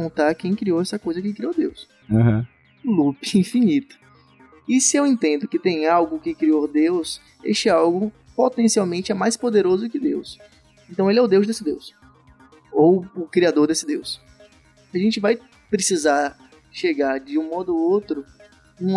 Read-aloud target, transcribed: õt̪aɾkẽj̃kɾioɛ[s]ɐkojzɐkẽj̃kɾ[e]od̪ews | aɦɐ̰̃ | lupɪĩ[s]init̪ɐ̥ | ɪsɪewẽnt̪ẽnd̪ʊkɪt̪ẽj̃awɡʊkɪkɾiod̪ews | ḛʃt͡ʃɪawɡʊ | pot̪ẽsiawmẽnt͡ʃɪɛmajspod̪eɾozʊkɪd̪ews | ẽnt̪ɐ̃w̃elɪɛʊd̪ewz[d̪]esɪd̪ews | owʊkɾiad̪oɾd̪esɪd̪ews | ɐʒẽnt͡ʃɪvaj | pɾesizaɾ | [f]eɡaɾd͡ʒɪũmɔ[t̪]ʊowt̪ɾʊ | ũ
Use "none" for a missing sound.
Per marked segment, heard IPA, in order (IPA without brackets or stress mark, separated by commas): s, i, f, d̪, ʃ, d̪